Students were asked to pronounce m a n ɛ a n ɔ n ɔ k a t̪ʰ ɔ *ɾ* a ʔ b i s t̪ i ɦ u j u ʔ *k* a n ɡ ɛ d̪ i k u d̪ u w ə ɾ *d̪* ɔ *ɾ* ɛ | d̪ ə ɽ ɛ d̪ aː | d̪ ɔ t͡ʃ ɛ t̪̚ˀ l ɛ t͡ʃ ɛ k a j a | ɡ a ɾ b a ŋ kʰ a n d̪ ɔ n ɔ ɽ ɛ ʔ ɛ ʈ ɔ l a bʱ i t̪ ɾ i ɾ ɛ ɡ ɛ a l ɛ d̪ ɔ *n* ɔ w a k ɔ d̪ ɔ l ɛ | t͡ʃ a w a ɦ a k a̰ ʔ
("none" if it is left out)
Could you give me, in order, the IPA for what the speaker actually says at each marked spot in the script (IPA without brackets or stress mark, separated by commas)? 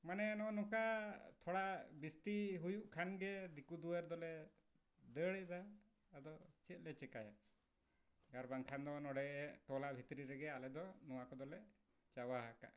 ɽ, kʰ, d̪, l, n